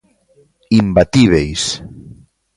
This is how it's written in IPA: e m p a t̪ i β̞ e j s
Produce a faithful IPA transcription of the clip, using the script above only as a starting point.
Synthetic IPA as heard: i m b a t̪ i β̞ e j s